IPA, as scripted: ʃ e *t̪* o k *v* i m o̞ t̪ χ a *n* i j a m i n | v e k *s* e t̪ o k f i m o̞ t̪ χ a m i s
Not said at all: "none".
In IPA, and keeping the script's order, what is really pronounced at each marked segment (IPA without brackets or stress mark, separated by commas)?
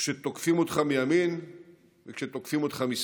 t̪, f, m, ʃ